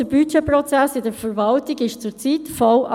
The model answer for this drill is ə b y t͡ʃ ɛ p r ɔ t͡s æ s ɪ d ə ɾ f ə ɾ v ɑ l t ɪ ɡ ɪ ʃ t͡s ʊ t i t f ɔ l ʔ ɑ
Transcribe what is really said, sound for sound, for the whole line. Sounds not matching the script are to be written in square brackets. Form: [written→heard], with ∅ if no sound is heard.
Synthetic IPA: ə b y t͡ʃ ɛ p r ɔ t͡s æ s ɪ d ə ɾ f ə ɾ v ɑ l t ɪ ɡ ɪ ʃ t͡s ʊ [t→t͡s] i t f ɔ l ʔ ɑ